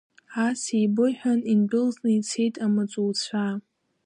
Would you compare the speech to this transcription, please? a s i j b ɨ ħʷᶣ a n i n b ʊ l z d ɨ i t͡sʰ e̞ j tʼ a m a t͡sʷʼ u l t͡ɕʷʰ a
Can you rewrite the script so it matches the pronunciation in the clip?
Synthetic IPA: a s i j b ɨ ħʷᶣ a n i n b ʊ l z n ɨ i t͡sʰ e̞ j tʼ a m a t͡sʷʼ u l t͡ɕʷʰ a